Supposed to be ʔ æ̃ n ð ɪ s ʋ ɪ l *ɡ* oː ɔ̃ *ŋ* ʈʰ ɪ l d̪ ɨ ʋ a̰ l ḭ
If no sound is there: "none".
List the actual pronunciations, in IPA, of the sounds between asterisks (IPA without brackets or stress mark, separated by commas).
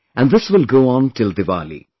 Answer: ɡ, n